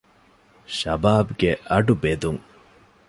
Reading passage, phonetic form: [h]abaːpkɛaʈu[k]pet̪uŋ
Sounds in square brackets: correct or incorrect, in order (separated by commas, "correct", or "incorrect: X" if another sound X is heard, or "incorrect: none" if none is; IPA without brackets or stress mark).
incorrect: ɕ, incorrect: none